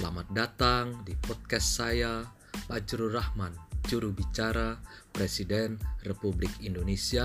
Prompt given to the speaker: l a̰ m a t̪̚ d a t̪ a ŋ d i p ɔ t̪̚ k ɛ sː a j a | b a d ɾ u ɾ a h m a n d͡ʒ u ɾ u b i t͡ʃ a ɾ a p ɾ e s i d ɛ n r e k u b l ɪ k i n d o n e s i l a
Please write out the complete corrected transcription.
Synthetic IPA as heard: l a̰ m a t̪̚ d a t̪ a ŋ d i p ɔ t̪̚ k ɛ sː a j a | p a d͡ʒ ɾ u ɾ a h m a n d͡ʒ u ɾ u b i t͡ʃ a ɾ a p ɾ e s i d ɛ n r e p u b l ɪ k i n d o n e s i a